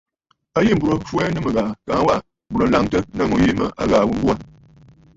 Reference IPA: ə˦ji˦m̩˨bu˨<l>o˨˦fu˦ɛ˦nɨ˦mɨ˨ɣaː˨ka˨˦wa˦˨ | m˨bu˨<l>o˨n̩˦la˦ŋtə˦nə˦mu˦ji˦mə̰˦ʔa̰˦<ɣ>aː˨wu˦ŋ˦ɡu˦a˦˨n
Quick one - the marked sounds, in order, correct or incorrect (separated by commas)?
incorrect, incorrect, correct